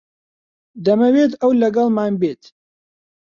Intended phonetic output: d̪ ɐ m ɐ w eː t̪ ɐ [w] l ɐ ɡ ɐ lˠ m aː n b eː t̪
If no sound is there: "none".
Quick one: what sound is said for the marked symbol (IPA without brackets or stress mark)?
w